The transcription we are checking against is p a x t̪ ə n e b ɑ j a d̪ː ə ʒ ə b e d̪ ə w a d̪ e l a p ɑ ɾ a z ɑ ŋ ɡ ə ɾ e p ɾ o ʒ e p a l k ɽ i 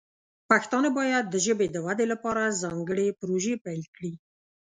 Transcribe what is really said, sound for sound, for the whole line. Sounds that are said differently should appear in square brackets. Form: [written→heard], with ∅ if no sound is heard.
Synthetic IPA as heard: p a x t̪ [ə→ɑ] n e b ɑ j a d̪ː ə ʒ ə b e d̪ ə w a d̪ e l a p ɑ ɾ a z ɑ ŋ ɡ ə [ɾ→ɽ] e p ɾ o ʒ e p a l k ɽ i